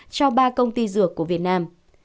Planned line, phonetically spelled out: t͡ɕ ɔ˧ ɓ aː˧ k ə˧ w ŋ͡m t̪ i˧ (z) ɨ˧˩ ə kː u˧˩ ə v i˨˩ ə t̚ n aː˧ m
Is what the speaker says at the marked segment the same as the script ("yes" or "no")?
yes